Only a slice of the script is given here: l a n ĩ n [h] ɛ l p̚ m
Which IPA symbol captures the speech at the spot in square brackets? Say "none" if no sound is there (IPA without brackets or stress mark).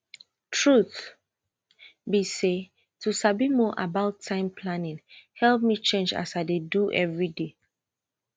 h